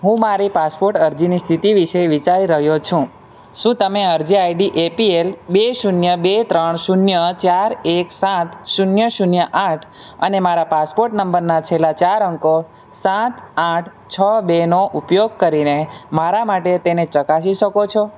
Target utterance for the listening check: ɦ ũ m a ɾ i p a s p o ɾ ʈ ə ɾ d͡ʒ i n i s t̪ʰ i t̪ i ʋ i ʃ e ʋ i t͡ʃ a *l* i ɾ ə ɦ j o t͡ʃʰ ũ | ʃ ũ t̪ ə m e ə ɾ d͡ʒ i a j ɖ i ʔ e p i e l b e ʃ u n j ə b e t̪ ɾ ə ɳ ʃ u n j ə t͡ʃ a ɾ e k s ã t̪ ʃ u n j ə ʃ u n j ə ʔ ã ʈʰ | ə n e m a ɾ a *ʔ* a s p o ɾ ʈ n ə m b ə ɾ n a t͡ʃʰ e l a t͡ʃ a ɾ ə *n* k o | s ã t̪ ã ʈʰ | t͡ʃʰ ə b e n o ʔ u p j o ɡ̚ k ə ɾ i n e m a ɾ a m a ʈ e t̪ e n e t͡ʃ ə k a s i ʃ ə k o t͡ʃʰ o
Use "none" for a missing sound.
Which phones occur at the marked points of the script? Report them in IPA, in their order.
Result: ɾ, p, ŋ

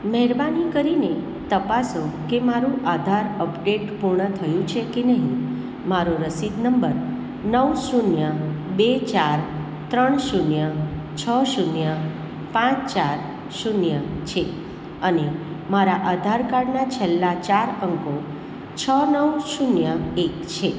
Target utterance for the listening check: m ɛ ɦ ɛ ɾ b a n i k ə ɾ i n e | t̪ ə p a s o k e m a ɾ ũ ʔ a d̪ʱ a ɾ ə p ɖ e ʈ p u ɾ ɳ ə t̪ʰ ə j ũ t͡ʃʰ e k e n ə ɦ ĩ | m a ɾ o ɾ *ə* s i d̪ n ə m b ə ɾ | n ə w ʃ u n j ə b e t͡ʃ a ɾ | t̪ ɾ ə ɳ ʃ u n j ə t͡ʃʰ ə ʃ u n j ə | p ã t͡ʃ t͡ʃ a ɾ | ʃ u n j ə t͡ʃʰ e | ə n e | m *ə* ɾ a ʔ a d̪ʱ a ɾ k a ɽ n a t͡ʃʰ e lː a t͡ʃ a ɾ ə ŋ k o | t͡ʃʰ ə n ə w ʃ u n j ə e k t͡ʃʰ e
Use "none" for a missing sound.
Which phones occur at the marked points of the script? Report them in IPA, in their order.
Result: ə, a

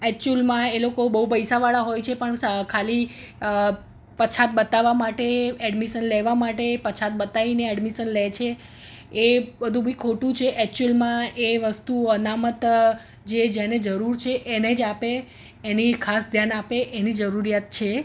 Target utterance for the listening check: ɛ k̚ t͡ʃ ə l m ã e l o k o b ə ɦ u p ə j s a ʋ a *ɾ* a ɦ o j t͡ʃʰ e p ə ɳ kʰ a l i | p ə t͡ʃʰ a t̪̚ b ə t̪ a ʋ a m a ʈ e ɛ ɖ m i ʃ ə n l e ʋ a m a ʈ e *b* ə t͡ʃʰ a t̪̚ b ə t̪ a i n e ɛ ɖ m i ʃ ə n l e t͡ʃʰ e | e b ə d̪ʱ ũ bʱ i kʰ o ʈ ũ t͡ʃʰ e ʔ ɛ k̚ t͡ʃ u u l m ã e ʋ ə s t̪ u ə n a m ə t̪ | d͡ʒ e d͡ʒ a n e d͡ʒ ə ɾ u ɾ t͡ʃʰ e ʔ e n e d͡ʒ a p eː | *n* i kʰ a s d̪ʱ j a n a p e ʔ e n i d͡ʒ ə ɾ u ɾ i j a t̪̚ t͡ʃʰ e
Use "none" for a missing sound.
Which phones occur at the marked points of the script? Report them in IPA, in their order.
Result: ɭ, p, n

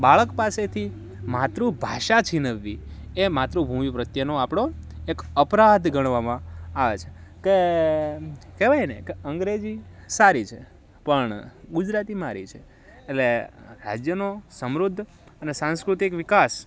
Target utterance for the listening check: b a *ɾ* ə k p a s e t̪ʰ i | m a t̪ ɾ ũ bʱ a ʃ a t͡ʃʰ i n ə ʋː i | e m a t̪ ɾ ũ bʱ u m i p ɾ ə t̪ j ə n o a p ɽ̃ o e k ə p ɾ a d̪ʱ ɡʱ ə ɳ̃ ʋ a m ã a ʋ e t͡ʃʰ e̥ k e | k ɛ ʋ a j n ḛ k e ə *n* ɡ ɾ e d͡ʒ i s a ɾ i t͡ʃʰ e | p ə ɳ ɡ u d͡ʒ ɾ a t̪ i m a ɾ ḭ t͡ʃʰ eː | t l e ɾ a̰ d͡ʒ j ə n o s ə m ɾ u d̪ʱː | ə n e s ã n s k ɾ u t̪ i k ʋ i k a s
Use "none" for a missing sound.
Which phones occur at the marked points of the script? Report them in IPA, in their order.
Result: ɭ, ŋ

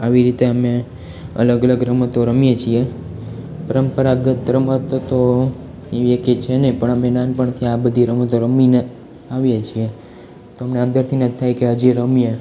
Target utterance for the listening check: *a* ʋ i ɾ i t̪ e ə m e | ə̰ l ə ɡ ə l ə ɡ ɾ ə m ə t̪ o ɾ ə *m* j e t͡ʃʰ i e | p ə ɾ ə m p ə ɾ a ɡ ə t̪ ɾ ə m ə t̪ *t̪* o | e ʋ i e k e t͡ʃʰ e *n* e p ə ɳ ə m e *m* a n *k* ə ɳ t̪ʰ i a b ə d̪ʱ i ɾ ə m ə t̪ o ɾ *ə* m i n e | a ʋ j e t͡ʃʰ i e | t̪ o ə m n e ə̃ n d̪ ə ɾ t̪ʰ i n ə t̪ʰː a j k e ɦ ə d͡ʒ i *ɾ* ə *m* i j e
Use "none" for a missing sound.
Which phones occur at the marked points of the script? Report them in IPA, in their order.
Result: a, m, t̪, n, n, p, ə, ɾ, m

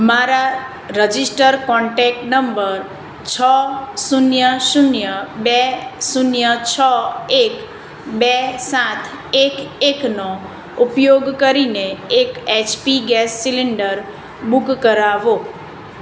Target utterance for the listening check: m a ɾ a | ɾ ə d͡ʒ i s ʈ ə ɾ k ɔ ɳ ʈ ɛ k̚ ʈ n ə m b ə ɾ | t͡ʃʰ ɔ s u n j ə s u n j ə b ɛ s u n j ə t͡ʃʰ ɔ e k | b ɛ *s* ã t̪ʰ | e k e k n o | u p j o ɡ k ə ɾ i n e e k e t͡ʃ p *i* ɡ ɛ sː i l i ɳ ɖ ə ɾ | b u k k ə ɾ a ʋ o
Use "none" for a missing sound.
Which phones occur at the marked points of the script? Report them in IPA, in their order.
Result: s, i

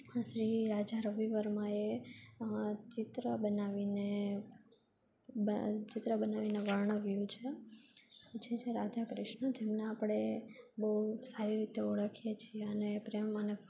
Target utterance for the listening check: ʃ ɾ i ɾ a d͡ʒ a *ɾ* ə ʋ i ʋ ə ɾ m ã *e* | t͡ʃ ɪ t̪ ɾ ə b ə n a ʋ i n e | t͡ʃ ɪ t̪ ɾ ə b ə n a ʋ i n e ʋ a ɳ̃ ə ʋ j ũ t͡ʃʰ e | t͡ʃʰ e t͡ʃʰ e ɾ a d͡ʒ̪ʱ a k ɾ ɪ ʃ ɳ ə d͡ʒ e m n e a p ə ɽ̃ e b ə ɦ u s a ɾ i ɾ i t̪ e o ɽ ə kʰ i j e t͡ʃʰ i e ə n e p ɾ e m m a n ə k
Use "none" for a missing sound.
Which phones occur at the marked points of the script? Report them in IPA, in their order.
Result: ɾ, e

